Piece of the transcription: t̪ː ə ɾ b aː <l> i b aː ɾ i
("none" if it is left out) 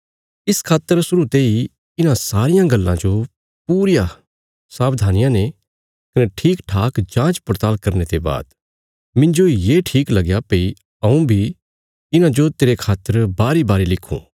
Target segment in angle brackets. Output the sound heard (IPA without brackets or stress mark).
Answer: ɾ